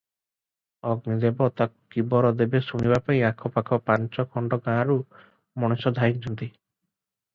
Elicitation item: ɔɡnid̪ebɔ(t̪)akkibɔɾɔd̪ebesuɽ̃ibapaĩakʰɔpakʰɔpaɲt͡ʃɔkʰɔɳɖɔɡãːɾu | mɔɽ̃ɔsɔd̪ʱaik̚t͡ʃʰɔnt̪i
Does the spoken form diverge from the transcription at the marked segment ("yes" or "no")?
no